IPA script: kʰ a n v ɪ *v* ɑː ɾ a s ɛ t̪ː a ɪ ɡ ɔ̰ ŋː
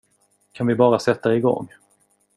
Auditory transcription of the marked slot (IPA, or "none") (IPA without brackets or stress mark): b